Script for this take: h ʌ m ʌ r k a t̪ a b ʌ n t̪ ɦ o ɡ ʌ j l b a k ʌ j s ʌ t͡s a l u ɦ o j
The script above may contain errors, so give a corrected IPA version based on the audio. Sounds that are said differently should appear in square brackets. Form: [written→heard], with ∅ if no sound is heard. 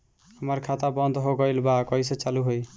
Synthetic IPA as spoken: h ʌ m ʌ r [k→kʰ] a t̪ a b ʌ n [t̪→d̪] ɦ o ɡ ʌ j l b a k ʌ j s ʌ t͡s a l u ɦ o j

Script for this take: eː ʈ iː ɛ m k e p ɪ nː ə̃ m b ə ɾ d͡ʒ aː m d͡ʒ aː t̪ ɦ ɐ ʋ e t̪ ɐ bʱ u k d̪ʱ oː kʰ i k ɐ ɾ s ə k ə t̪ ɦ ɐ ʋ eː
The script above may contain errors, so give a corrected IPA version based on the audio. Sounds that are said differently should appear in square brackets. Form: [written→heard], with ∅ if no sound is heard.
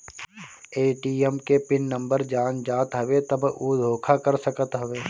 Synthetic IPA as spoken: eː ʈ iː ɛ m k e p ɪ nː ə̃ m b ə ɾ d͡ʒ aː [m→n] d͡ʒ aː t̪ ɦ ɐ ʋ e t̪ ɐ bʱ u [k→∅] d̪ʱ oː kʰ [i→a] k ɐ ɾ s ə k ə t̪ ɦ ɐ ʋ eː

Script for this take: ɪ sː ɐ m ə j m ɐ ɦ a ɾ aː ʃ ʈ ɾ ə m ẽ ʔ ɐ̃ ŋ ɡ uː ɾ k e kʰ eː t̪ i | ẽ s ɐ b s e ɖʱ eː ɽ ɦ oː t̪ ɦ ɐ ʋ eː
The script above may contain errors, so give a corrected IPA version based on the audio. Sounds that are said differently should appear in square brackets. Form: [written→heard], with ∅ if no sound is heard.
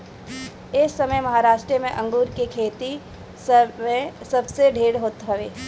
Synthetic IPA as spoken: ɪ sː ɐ m ə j m ɐ ɦ a ɾ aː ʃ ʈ ɾ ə m ẽ ʔ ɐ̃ ŋ ɡ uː ɾ k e kʰ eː t̪ i | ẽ s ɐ b s e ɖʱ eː ɽ ɦ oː t̪ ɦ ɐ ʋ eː

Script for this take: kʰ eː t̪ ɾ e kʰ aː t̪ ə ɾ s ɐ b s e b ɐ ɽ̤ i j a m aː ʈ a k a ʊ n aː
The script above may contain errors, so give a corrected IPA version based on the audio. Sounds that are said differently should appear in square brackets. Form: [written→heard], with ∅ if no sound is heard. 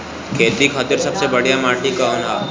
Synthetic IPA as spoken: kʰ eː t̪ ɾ [e→i] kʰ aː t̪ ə ɾ s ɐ b s e b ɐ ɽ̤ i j a m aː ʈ [a→i] k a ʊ n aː

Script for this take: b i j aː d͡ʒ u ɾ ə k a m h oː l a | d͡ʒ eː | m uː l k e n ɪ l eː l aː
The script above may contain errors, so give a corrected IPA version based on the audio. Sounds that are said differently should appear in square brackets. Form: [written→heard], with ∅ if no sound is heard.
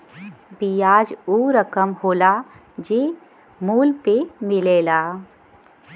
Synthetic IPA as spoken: b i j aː d͡ʒ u ɾ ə k [a→ə] m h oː l a | d͡ʒ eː | m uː l [k→p] e [n→m] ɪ l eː l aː

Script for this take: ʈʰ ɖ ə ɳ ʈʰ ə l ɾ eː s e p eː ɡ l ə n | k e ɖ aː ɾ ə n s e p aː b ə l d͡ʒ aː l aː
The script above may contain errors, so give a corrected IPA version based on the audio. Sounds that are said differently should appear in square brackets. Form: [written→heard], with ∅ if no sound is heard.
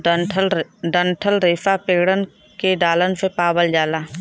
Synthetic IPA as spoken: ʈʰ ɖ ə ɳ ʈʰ ə l ɾ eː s [e→a] p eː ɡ [l→ɽ] ə n | k e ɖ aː [ɾ→l] ə n s e p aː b ə l d͡ʒ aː l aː

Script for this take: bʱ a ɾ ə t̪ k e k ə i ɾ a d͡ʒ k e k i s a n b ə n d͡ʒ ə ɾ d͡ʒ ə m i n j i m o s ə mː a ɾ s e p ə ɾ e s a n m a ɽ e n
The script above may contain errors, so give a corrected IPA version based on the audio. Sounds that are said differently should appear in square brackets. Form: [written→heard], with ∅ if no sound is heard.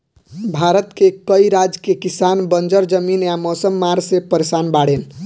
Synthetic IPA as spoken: bʱ a ɾ ə t̪ k e k ə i ɾ a d͡ʒ k e k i s a n b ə n d͡ʒ ə ɾ d͡ʒ ə m i n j [i→a] m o s ə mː a ɾ s e p ə ɾ e s a n [m→b] a ɽ e n

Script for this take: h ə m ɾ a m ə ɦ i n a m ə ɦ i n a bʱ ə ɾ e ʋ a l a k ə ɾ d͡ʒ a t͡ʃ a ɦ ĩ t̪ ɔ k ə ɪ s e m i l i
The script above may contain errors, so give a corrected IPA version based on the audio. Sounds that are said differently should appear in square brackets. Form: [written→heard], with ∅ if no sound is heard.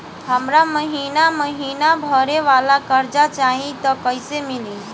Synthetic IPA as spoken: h ə m ɾ a m ə ɦ i n a m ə ɦ i n a bʱ ə ɾ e ʋ a l a k ə ɾ d͡ʒ a t͡ʃ a ɦ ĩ t̪ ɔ k ə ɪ s e m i l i

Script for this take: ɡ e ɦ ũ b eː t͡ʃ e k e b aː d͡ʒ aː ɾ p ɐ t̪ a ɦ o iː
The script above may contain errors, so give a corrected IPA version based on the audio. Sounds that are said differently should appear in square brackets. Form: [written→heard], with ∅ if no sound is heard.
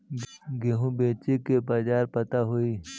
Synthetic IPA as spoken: ɡ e ɦ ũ b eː t͡ʃ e k e b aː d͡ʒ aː ɾ p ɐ t̪ a ɦ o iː

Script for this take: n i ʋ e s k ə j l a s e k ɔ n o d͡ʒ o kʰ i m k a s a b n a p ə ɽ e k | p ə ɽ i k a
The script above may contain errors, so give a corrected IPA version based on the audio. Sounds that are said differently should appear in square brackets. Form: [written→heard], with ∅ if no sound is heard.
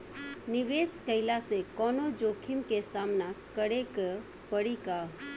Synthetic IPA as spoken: n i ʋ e s k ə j l a s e k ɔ n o d͡ʒ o kʰ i m k [a→e] s a [b→m] n a [p→k] ə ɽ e k | p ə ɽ i k a

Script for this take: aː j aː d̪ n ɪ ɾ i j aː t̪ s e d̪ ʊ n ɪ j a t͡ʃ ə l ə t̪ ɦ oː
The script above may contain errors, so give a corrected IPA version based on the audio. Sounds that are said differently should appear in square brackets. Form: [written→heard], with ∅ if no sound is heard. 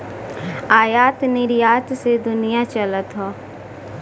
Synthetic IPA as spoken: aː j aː [d̪→t̪] n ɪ ɾ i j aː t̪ s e d̪ ʊ n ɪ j a t͡ʃ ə l ə t̪ ɦ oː

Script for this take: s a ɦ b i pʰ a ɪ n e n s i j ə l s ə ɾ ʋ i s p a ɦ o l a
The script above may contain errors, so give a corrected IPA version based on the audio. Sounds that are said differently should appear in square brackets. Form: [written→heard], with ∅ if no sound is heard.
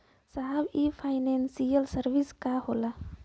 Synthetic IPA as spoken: s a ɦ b i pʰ a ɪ n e n s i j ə l s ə ɾ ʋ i s [p→k] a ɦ o l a

